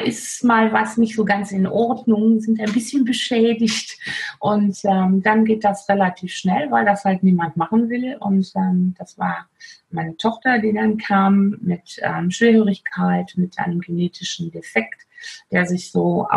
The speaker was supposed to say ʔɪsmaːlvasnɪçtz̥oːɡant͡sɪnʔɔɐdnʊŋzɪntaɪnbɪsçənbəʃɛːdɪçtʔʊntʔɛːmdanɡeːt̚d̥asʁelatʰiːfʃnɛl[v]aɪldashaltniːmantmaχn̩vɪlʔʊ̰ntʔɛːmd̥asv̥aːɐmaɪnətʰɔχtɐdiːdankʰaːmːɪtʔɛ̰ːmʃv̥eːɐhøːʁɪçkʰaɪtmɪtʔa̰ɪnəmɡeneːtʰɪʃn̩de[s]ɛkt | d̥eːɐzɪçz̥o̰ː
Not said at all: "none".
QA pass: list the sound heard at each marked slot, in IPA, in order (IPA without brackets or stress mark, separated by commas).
v, f